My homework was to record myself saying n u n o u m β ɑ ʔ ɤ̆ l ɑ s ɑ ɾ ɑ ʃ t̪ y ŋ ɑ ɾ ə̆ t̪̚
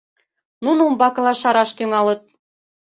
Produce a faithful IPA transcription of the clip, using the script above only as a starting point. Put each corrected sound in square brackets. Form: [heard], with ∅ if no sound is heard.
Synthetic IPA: n u n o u m [b] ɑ [k] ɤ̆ l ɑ [ʃ] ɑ ɾ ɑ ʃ t̪ y ŋ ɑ [l] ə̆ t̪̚